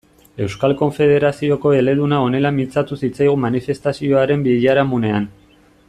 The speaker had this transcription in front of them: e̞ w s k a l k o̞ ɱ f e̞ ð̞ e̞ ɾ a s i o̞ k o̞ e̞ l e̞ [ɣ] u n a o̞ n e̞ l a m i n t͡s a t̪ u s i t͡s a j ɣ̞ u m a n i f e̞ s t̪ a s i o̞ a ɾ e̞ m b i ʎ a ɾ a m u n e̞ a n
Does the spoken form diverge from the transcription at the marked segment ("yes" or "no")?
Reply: yes